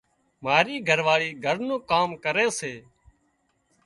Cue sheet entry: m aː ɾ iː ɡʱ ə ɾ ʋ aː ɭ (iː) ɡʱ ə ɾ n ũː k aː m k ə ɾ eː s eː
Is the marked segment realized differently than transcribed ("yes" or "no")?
no